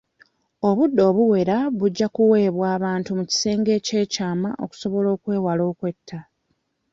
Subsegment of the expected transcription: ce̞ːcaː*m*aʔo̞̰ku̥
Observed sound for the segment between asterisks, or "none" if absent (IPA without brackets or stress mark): m